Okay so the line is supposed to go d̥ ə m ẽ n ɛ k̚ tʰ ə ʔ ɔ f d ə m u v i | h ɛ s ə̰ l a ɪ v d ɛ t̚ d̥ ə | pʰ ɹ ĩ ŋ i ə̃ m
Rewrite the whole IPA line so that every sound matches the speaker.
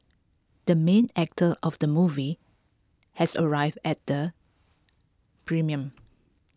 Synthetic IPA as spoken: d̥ ə m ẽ n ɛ k̚ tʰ ə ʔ ɔ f d ə m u v i | h ɛ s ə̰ ɹ a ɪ v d ɛ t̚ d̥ ə | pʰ ɹ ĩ m i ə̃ m